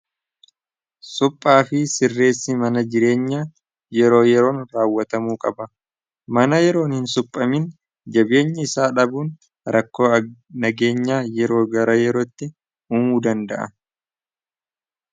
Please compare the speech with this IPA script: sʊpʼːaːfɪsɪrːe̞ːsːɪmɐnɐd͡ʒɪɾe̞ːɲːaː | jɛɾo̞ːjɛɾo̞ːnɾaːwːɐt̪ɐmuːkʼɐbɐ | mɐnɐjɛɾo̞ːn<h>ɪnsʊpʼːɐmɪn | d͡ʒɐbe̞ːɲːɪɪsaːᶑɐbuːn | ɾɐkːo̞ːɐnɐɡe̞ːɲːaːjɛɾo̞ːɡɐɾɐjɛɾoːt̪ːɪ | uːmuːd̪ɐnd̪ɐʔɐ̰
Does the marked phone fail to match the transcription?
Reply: no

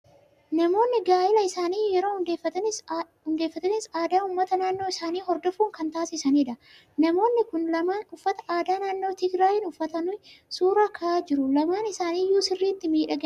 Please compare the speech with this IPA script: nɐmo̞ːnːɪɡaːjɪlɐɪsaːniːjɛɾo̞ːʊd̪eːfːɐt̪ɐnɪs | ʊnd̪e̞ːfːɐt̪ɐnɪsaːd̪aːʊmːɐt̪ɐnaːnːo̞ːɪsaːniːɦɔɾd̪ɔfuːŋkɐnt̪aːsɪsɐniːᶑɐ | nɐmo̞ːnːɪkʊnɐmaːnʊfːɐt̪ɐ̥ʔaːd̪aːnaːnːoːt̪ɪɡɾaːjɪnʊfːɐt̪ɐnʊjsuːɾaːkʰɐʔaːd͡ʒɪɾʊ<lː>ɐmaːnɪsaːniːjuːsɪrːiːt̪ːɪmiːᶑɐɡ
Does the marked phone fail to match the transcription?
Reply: yes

